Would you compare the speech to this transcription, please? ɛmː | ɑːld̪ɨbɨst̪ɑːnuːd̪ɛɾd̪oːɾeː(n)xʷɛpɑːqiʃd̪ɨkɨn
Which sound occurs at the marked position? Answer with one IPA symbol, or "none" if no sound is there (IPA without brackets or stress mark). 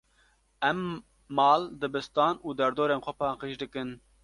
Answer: n